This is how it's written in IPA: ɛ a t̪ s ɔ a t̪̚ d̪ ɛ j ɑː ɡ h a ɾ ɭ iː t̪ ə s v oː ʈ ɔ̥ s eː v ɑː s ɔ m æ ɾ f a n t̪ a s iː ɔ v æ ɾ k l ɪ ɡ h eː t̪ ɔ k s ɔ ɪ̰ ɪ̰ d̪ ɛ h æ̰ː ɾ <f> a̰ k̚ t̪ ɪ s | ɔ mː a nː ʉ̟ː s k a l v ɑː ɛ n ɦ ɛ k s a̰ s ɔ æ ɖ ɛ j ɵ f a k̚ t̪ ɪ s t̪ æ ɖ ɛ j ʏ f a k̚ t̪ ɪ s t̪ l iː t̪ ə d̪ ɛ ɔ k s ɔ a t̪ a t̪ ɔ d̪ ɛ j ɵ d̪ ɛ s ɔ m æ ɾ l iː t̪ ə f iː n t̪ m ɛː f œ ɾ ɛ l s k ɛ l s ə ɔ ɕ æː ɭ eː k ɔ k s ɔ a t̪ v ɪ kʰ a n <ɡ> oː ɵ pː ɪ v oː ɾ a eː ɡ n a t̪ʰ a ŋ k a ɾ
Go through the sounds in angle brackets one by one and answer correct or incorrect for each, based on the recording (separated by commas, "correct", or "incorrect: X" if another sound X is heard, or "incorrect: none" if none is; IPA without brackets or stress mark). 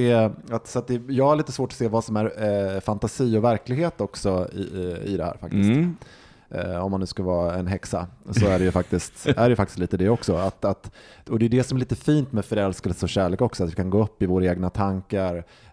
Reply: correct, correct